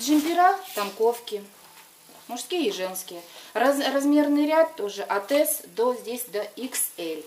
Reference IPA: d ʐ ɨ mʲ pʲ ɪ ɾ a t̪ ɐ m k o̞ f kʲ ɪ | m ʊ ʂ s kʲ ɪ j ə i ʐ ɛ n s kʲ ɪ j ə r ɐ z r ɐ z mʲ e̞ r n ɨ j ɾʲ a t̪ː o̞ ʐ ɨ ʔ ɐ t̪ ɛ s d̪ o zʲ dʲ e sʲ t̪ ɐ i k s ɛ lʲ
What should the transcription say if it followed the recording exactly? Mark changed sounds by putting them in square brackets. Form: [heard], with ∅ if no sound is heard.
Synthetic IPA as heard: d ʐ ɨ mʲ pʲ ɪ ɾ a t̪ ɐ m k o̞ f kʲ ɪ | m ʊ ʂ s kʲ [i] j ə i ʐ ɛ n s kʲ ɪ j ə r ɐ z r ɐ z mʲ e̞ r n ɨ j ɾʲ a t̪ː o̞ ʐ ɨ ʔ ɐ t̪ ɛ s d̪ o zʲ dʲ e sʲ [d̪] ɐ i k s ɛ lʲ

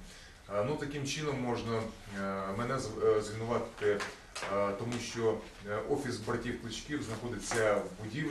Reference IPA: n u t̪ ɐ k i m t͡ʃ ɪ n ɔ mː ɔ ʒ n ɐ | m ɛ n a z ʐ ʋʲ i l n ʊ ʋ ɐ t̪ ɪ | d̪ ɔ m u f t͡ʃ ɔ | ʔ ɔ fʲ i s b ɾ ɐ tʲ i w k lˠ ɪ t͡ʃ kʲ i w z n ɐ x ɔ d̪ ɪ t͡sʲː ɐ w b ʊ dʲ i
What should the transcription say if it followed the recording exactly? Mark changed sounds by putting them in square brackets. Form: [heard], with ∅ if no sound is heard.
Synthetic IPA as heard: n u t̪ ɐ k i m t͡ʃ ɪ n ɔ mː ɔ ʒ n ɐ | m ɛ n [ɛ] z [z] ʋʲ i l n ʊ ʋ [ɑ] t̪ ɪ | [t̪] ɔ m u [ʃ] t͡ʃ ɔ | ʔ ɔ fʲ i s b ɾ ɐ tʲ i w k lˠ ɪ t͡ʃ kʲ i w z n ɐ x ɔ d̪ ɪ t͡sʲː ɐ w b ʊ dʲ i

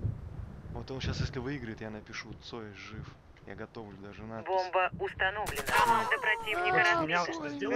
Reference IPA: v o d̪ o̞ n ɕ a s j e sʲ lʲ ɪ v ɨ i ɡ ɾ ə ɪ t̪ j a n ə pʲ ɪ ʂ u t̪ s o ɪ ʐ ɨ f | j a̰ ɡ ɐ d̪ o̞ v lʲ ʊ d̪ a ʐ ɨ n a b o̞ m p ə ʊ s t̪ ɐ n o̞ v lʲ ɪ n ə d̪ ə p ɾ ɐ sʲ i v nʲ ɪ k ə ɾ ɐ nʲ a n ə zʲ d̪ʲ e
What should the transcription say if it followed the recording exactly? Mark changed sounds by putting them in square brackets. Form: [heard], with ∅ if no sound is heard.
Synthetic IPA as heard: v o [t̪] o̞ n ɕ a s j e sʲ lʲ ɪ v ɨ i ɡ ɾ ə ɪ t̪ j a n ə pʲ ɪ ʂ u t̪ s o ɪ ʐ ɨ f | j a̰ ɡ ɐ [t̪] o̞ v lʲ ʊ d̪ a ʐ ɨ n a b o̞ m [b] ə ʊ s t̪ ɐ n o̞ v lʲ ɪ n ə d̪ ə p ɾ ɐ [tʲ] i v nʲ ɪ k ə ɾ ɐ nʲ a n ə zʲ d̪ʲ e

